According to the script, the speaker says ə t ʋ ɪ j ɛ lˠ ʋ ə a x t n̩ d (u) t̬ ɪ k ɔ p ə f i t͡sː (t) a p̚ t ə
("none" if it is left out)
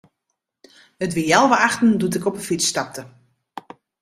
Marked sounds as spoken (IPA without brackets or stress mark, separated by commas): u, t